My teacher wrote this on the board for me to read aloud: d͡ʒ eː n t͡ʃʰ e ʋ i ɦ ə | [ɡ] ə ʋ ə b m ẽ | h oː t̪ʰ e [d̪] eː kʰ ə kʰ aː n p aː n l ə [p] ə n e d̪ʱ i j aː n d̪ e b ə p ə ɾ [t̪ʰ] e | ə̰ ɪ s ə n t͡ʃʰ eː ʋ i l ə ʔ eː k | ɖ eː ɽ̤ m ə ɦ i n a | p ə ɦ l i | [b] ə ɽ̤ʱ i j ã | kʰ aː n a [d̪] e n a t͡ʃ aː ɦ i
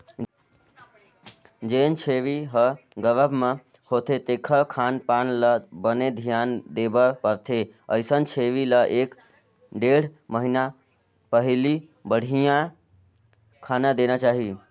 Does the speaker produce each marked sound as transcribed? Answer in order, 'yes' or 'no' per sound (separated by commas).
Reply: yes, no, no, yes, yes, yes